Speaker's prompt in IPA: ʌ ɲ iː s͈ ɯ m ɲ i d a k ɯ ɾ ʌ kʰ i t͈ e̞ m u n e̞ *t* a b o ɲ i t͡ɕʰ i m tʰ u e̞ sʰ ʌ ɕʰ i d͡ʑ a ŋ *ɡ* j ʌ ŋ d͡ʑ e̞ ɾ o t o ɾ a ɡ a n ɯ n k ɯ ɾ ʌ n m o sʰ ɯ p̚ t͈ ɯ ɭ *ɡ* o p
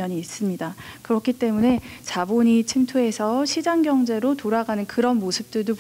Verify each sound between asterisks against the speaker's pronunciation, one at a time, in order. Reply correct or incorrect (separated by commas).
incorrect, correct, incorrect